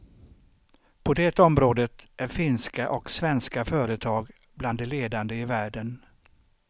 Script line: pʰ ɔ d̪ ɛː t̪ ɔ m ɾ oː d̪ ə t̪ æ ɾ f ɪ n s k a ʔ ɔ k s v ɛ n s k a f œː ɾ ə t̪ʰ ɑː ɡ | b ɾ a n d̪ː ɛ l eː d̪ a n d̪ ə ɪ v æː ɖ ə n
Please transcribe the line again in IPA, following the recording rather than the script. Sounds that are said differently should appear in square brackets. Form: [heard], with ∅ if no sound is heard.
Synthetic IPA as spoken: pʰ ɔ d̪ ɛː t̪ ɔ m ɾ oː d̪ ə t̪ æ ɾ f ɪ n s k a ʔ ɔ k s v ɛ n s k a f œː ɾ ə t̪ʰ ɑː ɡ | b [l] a n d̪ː ɛ l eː d̪ a n d̪ ə ɪ v æː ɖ ə n